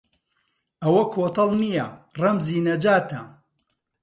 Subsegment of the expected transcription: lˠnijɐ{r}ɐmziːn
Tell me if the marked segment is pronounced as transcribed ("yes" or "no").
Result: yes